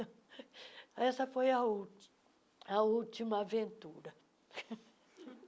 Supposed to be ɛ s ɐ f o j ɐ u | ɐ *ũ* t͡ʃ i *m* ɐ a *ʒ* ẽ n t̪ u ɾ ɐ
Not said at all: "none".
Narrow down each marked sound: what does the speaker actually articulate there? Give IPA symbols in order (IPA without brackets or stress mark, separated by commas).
u, m, v